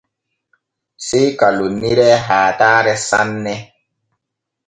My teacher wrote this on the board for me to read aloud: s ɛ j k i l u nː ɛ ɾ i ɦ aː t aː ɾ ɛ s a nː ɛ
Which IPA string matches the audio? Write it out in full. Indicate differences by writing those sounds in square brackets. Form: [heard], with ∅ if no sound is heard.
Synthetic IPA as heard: s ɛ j k [a] l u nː [i] ɾ [ɛ] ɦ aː t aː ɾ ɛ s a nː ɛ